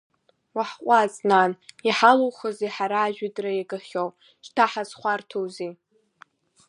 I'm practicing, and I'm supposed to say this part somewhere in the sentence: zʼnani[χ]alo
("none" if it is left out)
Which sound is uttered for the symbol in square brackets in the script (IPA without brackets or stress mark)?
ħ